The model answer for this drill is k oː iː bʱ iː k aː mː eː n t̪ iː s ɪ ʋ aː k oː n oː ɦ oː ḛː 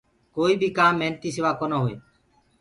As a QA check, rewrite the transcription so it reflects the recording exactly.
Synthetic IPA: k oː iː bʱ iː k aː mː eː n t̪ iː s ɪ ʋ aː k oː n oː ɦ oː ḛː